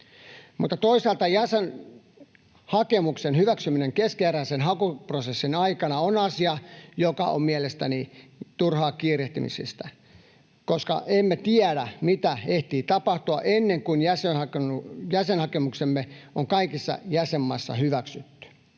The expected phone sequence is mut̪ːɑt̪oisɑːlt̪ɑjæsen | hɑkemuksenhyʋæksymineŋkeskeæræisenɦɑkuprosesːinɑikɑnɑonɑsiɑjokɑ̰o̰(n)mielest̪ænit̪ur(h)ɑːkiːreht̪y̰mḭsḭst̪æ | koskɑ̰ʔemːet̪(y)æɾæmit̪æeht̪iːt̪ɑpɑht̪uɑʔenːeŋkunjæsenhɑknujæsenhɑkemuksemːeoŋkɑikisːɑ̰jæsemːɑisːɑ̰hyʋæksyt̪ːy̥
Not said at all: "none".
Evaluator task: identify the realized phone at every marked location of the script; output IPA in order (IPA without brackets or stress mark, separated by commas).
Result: m, h, i